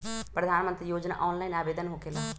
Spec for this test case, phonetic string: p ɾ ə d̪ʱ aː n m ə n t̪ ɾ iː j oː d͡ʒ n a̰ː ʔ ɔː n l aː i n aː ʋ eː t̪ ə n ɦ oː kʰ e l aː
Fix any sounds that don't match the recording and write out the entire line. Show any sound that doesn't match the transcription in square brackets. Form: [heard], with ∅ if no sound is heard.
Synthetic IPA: p ɾ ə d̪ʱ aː n m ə n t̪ ɾ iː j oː d͡ʒ n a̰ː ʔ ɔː n l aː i n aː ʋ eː [d̪] ə n ɦ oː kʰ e l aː